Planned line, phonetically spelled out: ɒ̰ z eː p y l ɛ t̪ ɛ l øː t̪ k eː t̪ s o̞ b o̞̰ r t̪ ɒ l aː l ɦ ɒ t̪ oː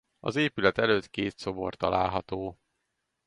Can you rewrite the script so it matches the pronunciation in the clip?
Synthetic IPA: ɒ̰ z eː p y l ɛ t̪ ɛ l øː t̪ k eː t̪ s o̞ b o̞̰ r t̪ ɒ l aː l ɦ ɒ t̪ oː